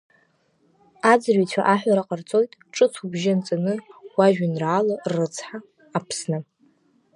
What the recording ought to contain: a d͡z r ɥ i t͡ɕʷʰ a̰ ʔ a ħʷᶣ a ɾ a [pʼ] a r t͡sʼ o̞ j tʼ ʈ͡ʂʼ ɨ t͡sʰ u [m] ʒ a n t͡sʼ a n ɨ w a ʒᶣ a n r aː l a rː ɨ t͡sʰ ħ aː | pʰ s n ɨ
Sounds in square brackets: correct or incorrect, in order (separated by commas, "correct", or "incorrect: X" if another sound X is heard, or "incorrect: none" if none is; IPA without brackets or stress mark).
incorrect: qʼ, incorrect: b